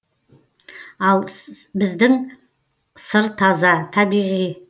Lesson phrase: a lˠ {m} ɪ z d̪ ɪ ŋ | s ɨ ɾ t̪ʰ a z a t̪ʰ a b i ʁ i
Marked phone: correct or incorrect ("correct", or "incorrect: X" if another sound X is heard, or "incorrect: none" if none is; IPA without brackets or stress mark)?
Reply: incorrect: b